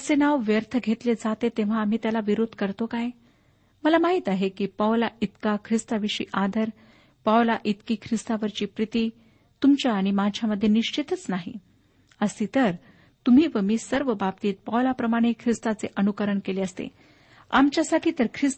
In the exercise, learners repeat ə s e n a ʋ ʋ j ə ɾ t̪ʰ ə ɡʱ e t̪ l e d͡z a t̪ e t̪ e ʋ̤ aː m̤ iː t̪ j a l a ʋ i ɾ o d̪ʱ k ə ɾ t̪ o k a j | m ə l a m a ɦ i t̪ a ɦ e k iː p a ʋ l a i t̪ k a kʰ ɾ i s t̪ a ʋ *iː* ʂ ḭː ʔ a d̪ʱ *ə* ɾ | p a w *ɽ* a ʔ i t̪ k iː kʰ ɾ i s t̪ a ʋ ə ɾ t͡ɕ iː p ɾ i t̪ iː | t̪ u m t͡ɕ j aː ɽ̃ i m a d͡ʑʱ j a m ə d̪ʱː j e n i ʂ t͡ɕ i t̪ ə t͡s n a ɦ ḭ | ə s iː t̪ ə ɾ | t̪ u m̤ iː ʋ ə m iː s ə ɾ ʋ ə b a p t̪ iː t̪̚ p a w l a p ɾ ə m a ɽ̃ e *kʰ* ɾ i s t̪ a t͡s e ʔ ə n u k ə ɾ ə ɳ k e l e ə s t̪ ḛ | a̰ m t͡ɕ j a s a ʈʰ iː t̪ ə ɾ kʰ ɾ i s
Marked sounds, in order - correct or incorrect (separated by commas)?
incorrect, correct, incorrect, correct